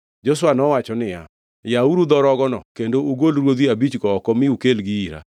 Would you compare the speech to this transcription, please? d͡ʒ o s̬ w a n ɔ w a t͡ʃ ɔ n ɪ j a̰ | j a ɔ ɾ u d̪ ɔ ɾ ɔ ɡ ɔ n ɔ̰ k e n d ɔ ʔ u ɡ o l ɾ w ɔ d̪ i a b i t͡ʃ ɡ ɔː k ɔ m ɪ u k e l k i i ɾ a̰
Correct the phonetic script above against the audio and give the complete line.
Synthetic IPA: d͡ʒ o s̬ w a n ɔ w a t͡ʃ ɔ n ɪ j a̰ | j a u ɾ u d̪ ɔ ɾ ɔ ɡ ɔ n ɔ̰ k e n d o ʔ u ɡ o l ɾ w o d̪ i a b i t͡ʃ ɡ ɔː k ɔ m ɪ u k e l ɡ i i ɾ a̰